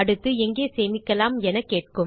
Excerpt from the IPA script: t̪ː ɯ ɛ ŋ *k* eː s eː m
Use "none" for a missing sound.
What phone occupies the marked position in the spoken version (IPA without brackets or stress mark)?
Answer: ɡ